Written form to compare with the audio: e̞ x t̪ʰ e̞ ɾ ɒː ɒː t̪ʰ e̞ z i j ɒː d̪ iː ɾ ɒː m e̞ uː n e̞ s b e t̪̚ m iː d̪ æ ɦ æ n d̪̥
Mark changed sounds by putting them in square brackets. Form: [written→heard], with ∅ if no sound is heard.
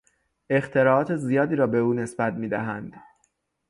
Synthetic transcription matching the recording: e̞ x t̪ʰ e̞ ɾ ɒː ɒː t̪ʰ e̞ z i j ɒː d̪ iː ɾ ɒː [m→b] e̞ uː n e̞ s b [e→æ] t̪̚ m iː d̪ æ ɦ æ n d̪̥